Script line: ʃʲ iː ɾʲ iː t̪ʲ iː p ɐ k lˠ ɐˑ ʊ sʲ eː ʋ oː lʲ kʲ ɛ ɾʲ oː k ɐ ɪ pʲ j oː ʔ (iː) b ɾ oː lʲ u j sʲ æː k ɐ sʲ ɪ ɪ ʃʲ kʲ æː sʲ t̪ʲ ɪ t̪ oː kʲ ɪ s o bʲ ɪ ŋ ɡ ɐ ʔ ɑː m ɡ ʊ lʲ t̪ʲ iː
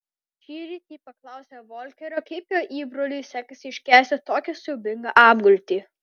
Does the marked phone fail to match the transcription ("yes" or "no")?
no